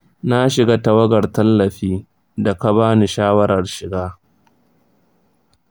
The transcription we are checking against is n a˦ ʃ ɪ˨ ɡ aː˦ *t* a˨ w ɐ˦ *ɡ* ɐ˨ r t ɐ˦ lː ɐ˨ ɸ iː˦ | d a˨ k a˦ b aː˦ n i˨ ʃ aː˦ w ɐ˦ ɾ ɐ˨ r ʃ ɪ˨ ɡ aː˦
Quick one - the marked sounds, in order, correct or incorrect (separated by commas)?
correct, correct